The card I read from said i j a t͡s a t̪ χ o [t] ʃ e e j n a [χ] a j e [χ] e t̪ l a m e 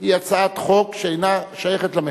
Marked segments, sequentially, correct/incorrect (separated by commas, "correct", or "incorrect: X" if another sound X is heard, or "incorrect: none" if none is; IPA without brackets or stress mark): incorrect: k, incorrect: ʃ, correct